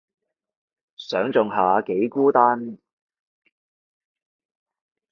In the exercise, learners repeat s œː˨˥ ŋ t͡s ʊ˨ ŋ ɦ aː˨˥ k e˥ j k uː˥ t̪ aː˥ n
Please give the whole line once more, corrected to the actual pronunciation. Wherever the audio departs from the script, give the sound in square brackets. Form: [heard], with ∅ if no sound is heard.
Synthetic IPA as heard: s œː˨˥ ŋ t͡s ʊ˨ ŋ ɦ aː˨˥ k [e˨˥] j k uː˥ t̪ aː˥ n